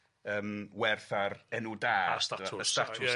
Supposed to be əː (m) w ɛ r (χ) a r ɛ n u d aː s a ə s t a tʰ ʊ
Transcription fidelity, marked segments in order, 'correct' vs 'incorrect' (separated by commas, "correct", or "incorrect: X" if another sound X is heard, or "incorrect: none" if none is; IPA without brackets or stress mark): correct, incorrect: θ